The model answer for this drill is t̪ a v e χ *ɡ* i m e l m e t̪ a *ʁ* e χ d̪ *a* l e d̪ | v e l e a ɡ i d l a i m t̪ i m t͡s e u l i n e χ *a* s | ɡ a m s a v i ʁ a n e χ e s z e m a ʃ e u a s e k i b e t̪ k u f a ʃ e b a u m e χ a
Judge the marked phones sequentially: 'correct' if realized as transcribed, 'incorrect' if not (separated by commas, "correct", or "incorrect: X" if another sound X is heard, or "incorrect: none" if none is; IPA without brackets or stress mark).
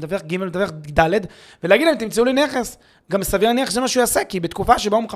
correct, incorrect: v, correct, incorrect: e